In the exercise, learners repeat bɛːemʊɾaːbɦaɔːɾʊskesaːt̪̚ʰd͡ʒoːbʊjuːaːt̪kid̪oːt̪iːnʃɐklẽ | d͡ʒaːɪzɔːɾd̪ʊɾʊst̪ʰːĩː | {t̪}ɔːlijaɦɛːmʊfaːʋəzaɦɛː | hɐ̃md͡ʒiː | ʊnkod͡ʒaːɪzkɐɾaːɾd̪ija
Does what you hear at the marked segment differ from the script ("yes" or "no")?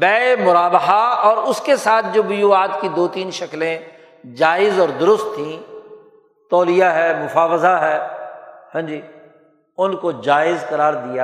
no